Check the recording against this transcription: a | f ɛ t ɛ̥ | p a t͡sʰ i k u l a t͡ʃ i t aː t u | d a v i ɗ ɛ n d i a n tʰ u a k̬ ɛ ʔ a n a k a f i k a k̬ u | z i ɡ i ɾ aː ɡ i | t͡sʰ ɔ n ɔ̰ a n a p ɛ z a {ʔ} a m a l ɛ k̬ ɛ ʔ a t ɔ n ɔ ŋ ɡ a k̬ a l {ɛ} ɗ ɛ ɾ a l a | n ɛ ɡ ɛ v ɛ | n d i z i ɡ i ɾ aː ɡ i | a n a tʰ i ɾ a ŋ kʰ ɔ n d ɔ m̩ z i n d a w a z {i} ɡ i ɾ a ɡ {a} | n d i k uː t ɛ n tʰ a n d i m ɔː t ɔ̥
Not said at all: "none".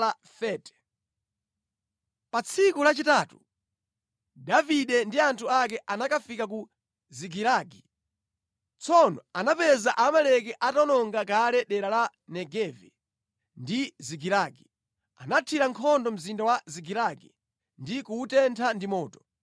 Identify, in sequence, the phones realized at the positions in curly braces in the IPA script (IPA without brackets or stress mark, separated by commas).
ʔ, ɛ, i, i